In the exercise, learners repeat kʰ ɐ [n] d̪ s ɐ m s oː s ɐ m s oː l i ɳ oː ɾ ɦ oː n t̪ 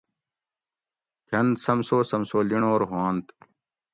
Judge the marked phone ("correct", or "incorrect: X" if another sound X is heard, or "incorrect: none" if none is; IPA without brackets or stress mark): correct